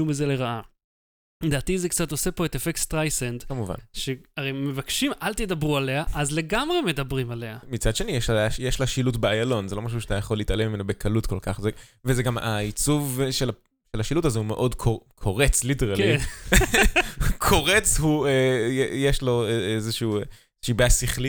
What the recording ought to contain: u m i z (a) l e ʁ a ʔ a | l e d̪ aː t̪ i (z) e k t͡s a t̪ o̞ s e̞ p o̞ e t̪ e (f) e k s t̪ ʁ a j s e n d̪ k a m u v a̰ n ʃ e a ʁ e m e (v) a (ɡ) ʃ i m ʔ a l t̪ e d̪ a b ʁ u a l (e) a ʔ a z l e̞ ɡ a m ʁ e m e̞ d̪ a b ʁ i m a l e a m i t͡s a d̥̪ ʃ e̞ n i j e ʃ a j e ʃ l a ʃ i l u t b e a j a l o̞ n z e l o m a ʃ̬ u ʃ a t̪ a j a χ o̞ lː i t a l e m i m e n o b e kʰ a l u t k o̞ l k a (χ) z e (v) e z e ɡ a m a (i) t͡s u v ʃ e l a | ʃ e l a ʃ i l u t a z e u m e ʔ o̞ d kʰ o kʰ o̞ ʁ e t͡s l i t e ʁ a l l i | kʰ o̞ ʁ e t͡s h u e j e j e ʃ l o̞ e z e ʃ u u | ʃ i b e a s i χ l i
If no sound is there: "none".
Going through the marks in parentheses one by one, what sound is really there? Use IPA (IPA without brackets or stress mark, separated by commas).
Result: e, z, f, v, k, e, χ, v, i